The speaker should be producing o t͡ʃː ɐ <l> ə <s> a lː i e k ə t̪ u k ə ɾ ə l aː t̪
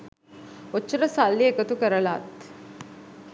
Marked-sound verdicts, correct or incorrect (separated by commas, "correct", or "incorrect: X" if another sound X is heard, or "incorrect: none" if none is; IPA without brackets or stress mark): incorrect: ɾ, correct